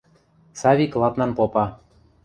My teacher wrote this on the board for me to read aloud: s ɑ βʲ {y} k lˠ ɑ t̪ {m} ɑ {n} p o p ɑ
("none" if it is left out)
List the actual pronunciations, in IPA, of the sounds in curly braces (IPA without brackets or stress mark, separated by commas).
i, n, n